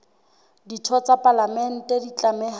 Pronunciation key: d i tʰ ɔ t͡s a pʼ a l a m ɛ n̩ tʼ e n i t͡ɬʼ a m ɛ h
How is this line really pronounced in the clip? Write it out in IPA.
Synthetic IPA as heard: d i tʰ ɔ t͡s a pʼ a l a m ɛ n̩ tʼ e d i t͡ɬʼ a m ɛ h